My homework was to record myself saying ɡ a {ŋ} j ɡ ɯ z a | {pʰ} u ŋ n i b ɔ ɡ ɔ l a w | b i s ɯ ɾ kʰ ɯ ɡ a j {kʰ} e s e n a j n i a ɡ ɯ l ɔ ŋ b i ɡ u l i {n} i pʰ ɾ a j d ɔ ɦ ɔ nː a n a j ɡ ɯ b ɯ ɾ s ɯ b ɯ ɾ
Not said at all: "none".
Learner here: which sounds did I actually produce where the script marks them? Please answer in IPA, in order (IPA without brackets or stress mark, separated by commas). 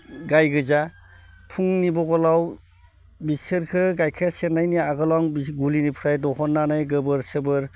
none, pʰ, kʰ, n